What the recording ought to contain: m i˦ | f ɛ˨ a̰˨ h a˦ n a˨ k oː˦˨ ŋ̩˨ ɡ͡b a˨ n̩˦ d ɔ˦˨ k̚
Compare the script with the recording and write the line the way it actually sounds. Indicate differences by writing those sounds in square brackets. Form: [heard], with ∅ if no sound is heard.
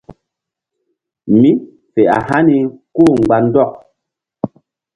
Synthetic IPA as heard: m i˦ | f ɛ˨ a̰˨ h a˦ n [i˨] k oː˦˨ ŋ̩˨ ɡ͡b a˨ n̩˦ d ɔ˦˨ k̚